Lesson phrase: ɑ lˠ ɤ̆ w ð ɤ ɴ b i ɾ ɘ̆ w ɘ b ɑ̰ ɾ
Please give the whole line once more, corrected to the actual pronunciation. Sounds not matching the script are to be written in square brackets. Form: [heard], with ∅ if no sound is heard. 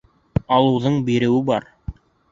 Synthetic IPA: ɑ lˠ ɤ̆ w ð ɤ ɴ b i ɾ ɘ̆ w ɘ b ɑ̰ ɾ